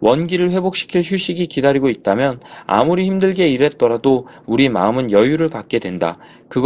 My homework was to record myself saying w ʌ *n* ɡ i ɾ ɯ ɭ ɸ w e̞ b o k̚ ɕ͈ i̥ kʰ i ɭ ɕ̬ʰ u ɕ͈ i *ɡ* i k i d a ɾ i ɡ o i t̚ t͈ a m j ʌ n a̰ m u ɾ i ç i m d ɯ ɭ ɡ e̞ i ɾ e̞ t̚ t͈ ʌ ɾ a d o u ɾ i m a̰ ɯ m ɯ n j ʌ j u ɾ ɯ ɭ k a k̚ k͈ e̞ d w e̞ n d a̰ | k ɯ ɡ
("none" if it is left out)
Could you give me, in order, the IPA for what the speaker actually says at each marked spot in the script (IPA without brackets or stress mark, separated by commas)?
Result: n, ɡ